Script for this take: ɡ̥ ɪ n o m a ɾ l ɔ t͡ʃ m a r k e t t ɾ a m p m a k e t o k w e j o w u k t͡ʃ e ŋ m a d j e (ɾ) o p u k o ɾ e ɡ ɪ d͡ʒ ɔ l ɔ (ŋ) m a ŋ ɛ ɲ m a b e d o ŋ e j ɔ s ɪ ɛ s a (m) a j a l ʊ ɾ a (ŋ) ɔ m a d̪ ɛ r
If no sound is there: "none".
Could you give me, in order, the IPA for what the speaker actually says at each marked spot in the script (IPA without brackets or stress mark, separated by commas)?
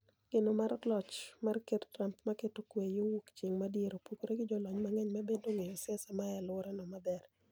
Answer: ɾ, ɲ, m, n